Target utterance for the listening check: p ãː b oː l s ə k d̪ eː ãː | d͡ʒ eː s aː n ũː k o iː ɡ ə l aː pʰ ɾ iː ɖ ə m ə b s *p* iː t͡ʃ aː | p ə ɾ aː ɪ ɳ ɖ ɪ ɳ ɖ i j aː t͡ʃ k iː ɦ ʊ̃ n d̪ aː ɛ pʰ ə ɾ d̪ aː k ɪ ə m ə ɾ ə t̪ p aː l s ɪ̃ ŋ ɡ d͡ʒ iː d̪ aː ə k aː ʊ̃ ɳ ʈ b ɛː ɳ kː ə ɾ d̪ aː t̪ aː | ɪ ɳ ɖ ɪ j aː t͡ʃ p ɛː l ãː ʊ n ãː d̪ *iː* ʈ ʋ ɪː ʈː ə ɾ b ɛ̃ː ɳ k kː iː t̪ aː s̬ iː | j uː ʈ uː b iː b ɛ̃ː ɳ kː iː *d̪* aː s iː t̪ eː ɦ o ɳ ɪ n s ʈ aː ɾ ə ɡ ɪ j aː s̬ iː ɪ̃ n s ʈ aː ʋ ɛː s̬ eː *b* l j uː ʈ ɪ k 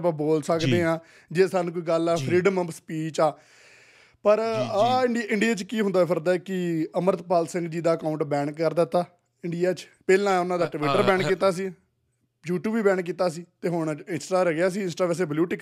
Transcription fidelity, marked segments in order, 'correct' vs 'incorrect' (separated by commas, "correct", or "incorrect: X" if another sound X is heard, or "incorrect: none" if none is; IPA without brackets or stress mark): correct, incorrect: aː, incorrect: t̪, correct